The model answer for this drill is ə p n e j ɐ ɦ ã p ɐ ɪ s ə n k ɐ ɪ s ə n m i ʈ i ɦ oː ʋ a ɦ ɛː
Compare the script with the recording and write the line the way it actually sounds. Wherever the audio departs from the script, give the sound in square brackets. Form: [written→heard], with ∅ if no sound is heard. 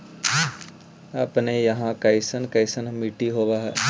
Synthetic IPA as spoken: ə p n e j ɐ ɦ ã [p→k] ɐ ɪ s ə n k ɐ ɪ s ə n m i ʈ i ɦ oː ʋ a ɦ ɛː